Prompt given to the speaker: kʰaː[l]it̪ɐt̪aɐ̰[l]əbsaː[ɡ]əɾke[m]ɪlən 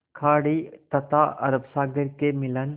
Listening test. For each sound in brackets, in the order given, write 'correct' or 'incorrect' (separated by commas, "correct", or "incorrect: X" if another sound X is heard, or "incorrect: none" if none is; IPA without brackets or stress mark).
incorrect: ɽ, incorrect: ɾ, correct, correct